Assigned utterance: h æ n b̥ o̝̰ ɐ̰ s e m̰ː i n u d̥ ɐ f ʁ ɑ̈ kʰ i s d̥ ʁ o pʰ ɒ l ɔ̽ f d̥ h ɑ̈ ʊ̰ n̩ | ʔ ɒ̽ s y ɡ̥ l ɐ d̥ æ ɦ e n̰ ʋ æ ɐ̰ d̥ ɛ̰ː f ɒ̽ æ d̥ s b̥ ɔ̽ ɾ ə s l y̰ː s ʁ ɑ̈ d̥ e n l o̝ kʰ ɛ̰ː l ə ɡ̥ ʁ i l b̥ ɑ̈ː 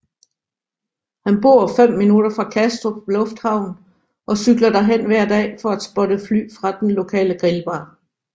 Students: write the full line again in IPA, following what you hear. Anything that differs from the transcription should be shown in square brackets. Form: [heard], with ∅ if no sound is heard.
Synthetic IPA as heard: h æ n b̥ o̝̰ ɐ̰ [f] e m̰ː i n u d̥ ɐ f ʁ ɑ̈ kʰ [æ] s d̥ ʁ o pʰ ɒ l ɔ̽ f d̥ h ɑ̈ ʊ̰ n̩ | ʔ ɒ̽ s y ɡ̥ l ɐ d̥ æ ɦ e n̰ ʋ æ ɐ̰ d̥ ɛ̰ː f ɒ̽ æ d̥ s b̥ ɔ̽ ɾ ə [f] l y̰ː [f] ʁ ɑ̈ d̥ e n l o̝ kʰ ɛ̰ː l ə ɡ̥ ʁ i l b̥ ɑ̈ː